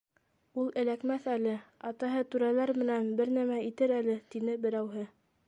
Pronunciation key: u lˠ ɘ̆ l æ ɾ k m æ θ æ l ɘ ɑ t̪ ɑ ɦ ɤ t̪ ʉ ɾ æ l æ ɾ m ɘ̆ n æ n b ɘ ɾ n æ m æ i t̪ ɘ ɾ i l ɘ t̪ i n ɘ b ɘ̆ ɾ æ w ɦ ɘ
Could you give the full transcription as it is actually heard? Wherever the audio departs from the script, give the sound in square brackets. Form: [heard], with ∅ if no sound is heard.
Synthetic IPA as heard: u lˠ ɘ̆ l æ [∅] k m æ θ æ l ɘ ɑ t̪ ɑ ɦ ɤ t̪ ʉ ɾ æ l æ ɾ m ɘ̆ n æ n b ɘ ɾ n æ m æ i t̪ ɘ ɾ [æ] l ɘ t̪ i n ɘ b ɘ̆ ɾ æ w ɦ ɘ

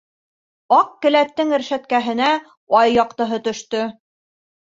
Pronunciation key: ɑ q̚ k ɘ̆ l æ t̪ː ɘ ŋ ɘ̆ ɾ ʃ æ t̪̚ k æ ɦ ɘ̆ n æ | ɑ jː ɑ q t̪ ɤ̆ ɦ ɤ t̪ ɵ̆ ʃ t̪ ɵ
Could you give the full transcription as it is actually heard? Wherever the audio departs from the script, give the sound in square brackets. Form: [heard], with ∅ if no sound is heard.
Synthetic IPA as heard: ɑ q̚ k ɘ̆ l æ t̪ː ɘ ŋ ɘ̆ ɾ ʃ æ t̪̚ k æ ɦ ɘ̆ n æ | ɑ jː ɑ q t̪ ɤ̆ ɦ ɤ t̪ ɵ̆ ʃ t̪ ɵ

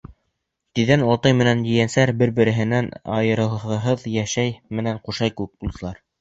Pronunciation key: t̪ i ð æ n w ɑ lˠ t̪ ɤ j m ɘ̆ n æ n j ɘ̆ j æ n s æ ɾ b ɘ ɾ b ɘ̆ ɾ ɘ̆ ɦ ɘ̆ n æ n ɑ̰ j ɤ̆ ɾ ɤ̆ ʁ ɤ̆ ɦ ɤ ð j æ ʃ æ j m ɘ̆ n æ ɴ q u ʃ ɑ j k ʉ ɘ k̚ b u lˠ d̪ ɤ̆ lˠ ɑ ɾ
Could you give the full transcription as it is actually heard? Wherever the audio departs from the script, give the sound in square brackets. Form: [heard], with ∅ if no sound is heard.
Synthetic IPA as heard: t̪ i ð æ n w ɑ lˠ t̪ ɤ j m ɘ̆ n æ n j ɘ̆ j æ n s æ ɾ b ɘ ɾ b ɘ̆ ɾ ɘ̆ ɦ ɘ̆ n æ n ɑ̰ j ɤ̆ ɾ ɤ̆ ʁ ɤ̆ ɦ ɤ ð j æ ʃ æ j m ɘ̆ n æ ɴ q u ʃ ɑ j k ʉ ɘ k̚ b u lˠ d̪ ɤ̆ lˠ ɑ ɾ

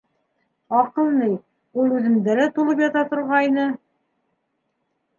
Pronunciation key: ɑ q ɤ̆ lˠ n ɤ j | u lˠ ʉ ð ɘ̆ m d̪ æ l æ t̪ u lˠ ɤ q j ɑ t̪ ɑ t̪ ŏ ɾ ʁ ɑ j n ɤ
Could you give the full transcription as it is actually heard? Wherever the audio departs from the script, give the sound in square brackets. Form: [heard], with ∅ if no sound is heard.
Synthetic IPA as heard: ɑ q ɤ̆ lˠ n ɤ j | u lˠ ʉ ð ɘ̆ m d̪ æ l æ t̪ u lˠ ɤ [p] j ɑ t̪ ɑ t̪ ŏ ɾ ʁ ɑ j n ɤ

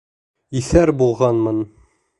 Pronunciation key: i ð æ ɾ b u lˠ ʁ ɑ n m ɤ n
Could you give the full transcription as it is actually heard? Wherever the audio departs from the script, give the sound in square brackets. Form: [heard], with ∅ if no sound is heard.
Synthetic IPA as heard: i [θ] æ ɾ b u lˠ ʁ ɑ n m ɤ n

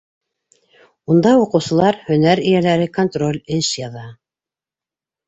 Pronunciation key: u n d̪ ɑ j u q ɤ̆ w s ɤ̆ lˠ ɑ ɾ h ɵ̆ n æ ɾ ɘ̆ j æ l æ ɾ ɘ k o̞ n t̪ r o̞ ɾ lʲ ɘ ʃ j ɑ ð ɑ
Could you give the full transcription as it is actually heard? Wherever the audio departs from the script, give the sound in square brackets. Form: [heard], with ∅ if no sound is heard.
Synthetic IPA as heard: u n d̪ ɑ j u q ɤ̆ w s ɤ̆ lˠ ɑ ɾ h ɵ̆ n æ ɾ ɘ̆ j æ l æ ɾ ɘ k o̞ n t̪ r o̞ [∅] lʲ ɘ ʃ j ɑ ð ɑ

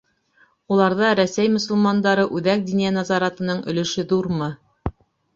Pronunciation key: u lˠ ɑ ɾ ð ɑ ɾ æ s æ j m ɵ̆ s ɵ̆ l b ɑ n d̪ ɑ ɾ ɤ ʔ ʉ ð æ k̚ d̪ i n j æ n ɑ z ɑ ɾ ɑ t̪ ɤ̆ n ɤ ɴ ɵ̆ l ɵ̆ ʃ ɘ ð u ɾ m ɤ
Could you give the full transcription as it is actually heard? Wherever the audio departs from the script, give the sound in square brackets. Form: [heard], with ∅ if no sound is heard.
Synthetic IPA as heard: u lˠ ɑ ɾ ð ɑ ɾ æ s æ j m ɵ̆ s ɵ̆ l [m] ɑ n d̪ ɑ ɾ ɤ ʔ ʉ ð æ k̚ d̪ i n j æ n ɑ z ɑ ɾ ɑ t̪ ɤ̆ n ɤ ɴ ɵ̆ l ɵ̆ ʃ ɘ ð u ɾ m ɤ

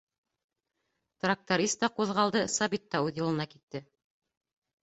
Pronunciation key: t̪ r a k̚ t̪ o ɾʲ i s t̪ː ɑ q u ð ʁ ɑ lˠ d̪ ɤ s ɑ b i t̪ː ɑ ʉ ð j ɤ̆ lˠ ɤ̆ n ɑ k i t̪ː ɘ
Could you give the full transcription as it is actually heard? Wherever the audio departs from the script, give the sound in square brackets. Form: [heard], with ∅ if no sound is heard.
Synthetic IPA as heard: t̪ r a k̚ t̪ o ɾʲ i s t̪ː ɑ q u ð ʁ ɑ lˠ d̪ ɤ s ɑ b i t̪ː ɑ ʉ ð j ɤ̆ lˠ ɤ̆ n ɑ k i t̪ː ɘ

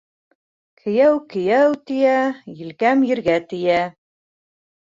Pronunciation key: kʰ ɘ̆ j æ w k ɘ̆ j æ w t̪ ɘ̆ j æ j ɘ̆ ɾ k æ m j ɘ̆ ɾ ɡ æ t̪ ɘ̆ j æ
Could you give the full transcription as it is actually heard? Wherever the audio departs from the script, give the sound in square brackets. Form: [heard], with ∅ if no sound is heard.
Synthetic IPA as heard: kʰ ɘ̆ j æ w k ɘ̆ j æ w t̪ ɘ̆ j æ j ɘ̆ [l] k æ m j ɘ̆ ɾ ɡ æ t̪ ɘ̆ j æ

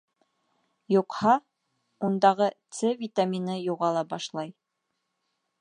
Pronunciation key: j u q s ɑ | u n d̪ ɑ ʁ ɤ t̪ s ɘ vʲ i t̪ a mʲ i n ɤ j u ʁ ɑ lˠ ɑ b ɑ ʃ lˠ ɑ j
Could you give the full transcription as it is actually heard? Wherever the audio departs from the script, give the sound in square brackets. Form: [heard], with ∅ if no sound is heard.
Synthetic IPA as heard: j u q [h] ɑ | u n d̪ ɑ ʁ ɤ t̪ s ɘ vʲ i t̪ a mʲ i n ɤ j u ʁ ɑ lˠ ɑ b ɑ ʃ lˠ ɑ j

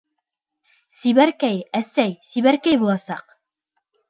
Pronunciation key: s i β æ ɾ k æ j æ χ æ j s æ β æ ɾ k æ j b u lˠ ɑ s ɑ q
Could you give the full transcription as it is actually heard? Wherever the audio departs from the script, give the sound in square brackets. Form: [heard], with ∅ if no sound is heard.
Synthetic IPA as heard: s i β æ ɾ k æ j æ [s] æ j s [i] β æ ɾ k æ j b u lˠ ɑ s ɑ q

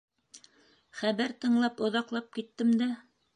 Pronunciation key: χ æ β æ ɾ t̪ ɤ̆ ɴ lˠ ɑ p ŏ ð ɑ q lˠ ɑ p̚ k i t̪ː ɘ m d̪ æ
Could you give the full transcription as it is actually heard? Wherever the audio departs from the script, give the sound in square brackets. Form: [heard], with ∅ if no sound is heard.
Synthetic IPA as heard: χ æ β æ ɾ t̪ ɤ̆ ɴ lˠ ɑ p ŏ ð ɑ q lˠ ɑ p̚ k i t̪ː ɘ m d̪ æ

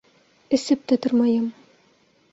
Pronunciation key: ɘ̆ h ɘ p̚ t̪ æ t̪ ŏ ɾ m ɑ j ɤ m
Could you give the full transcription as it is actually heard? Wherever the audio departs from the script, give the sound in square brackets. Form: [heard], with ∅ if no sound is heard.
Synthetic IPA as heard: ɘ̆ [s] ɘ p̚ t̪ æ t̪ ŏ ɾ m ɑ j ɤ m

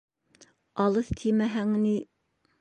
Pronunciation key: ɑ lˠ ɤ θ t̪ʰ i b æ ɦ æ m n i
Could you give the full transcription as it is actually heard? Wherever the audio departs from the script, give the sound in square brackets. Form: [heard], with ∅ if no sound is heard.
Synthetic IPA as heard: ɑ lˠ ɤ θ t̪ʰ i [m] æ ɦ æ [ŋ] n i

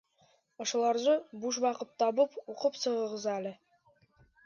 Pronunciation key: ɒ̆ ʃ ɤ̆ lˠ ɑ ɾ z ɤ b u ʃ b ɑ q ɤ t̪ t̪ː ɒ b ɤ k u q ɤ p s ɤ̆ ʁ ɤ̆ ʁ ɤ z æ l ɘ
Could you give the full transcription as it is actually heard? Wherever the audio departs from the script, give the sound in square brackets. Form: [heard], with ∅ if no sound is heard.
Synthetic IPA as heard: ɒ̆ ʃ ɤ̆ lˠ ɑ ɾ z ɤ b u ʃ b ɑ q ɤ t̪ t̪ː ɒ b ɤ [p] u q ɤ p s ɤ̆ ʁ ɤ̆ ʁ ɤ z æ l ɘ

